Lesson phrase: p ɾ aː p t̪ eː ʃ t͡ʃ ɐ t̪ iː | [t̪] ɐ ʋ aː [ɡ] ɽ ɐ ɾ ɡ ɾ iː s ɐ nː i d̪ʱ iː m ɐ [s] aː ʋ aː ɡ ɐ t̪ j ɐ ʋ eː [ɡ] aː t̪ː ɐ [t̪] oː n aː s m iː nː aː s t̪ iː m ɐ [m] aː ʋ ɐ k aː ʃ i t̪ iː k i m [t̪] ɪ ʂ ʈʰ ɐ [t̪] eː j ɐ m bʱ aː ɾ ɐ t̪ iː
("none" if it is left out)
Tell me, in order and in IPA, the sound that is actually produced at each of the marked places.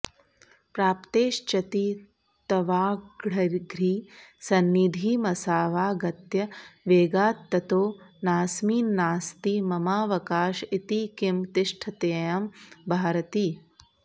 t̪, ɡ, s, ɡ, t̪, m, t̪, t̪

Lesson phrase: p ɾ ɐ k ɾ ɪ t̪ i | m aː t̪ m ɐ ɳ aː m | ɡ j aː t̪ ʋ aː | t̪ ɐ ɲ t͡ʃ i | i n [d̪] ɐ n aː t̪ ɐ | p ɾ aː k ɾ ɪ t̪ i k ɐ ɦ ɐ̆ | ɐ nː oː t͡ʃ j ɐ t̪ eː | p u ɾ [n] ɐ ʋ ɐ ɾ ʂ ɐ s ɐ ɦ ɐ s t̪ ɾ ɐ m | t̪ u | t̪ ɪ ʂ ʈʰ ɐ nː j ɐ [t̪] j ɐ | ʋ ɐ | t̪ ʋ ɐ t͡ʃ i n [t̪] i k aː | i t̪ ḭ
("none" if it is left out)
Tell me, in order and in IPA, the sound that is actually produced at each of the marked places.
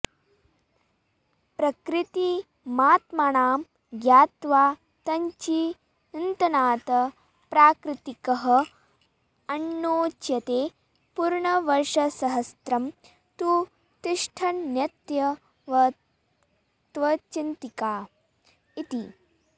t̪, ɳ, t̪, t̪

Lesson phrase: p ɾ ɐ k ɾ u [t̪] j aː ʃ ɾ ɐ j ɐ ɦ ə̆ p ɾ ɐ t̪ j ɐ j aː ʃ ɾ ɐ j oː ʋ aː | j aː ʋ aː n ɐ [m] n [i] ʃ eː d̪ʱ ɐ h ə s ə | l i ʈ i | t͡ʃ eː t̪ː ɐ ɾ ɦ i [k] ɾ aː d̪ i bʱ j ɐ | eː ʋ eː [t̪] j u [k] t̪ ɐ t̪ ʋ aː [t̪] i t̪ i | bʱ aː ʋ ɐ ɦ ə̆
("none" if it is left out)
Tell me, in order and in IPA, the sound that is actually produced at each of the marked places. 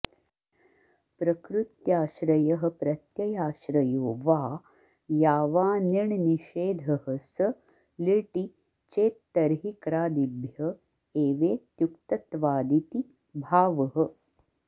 t̪, ɳ, i, k, t̪, k, d̪

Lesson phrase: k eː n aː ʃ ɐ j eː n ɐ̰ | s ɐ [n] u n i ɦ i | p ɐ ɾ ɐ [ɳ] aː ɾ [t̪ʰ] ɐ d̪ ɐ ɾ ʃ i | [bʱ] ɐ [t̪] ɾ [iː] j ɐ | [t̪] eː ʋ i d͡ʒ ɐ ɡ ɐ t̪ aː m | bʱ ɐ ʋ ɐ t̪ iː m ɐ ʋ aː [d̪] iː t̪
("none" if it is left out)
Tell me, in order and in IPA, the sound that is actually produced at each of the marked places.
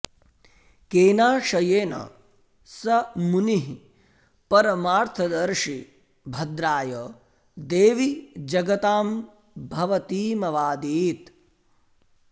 m, m, t̪ʰ, bʱ, d̪, aː, d̪, d̪

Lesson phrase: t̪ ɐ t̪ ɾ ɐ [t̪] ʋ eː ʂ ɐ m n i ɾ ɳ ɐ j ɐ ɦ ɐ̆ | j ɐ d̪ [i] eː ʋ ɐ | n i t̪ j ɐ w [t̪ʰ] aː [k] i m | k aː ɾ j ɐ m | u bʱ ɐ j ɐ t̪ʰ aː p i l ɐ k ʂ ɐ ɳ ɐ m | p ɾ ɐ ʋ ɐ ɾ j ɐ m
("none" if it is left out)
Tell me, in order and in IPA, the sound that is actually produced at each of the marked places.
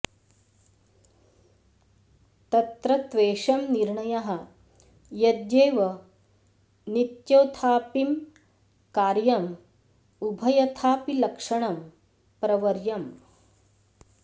t̪, j, t̪ʰ, p

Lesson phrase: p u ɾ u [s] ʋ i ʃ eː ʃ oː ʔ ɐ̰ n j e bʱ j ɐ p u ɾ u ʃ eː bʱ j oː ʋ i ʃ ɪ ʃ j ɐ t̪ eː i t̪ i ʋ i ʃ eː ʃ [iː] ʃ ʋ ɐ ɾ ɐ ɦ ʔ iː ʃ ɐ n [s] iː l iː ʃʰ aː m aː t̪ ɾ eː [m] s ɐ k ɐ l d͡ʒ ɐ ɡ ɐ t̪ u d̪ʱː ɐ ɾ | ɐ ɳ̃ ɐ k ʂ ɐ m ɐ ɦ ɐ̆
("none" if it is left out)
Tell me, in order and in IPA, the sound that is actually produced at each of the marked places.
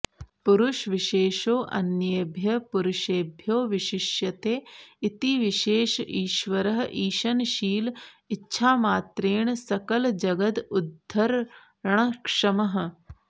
ʃ, iː, ʃ, ɳ

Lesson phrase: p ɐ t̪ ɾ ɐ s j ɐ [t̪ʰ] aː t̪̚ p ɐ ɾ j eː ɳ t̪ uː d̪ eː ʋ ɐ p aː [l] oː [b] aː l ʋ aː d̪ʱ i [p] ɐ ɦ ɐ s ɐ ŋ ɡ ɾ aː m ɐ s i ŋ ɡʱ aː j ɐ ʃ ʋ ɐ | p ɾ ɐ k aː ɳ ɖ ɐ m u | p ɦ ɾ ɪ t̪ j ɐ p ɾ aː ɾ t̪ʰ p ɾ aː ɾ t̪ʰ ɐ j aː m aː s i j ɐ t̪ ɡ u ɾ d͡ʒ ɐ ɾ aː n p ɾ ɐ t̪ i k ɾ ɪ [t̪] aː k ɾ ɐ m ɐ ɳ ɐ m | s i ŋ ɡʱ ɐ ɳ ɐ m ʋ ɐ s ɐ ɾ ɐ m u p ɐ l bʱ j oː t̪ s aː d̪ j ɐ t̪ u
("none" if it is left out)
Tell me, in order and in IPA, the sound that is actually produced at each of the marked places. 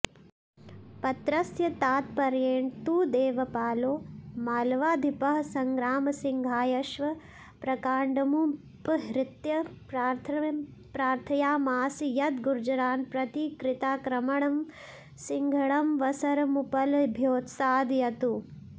t̪, l, m, p, t̪

